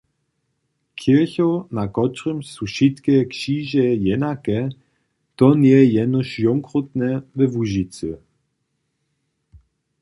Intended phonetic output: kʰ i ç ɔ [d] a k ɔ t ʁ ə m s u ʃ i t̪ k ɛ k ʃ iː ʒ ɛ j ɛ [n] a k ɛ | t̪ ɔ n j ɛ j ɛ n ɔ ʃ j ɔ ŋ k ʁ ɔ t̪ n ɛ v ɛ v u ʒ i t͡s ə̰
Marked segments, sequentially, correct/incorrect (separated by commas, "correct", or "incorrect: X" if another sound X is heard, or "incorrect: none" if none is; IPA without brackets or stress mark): incorrect: n, correct